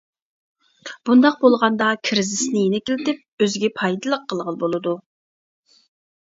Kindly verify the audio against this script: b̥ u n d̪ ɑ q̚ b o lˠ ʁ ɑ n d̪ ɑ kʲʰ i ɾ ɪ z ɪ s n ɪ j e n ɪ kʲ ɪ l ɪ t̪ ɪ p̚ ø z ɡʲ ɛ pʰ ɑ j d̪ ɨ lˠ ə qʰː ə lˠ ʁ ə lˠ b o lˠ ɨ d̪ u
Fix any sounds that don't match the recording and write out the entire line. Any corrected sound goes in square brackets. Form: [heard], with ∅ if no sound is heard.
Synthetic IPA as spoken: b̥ u n d̪ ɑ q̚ b o lˠ ʁ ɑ n d̪ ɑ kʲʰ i ɾ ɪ z ɪ s n ɪ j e n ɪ kʲ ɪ l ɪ t̪ ɪ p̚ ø z ɡʲ ɛ pʰ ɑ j d̪ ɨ lˠ ə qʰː ə lˠ ʁ ə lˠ b o lˠ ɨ d̪ u